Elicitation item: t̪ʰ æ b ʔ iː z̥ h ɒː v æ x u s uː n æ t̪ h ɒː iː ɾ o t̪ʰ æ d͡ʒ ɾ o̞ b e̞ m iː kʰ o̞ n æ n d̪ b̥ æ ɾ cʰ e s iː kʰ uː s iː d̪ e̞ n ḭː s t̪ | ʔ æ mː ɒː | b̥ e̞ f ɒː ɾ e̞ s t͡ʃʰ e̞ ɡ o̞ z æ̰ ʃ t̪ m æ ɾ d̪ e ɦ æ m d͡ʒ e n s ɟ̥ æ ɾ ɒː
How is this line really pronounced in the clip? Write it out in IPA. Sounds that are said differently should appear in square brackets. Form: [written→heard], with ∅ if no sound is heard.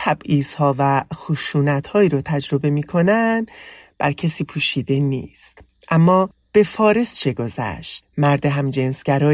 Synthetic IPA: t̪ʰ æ b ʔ iː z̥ h ɒː v æ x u [s→ʃ] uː n æ t̪ h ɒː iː ɾ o t̪ʰ æ d͡ʒ ɾ o̞ b e̞ m iː kʰ o̞ n æ n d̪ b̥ æ ɾ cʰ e s iː [kʰ→pʰ] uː [s→ʃ] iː d̪ e̞ n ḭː s t̪ | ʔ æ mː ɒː | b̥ e̞ f ɒː ɾ e̞ s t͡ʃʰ e̞ ɡ o̞ z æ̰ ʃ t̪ m æ ɾ d̪ e ɦ æ m d͡ʒ e n s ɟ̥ æ ɾ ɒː